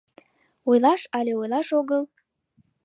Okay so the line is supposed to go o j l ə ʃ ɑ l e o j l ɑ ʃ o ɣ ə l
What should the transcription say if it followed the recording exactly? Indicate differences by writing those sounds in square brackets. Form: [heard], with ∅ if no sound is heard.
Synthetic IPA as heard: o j l [ɑ] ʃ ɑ l e o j l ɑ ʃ o ɣ ə l